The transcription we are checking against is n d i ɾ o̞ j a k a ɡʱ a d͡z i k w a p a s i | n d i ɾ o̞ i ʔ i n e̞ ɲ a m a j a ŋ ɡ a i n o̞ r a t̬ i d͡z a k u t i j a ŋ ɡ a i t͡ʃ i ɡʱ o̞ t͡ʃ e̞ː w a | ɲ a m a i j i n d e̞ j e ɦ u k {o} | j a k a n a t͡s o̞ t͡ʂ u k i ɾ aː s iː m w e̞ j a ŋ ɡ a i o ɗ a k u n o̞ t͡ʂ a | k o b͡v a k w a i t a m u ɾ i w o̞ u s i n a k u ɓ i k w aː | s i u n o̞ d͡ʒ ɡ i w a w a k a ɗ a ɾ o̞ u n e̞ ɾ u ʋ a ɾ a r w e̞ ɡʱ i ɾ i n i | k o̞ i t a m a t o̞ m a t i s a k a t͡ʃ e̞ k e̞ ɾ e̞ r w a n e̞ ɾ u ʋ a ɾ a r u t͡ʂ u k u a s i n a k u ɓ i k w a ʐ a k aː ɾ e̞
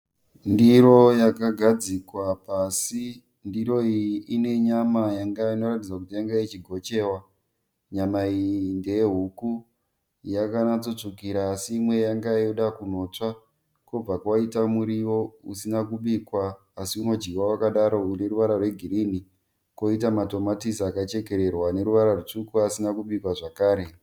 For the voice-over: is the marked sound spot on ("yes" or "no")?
no